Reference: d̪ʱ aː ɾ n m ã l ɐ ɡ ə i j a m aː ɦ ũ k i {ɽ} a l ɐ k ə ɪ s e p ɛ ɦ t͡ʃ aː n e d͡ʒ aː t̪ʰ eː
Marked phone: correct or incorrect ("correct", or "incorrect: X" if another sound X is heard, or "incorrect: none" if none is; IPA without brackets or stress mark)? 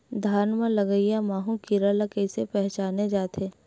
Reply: incorrect: ɾ